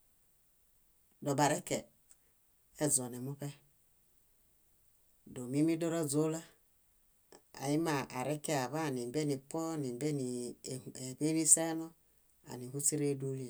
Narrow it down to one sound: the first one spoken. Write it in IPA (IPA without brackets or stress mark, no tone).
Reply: d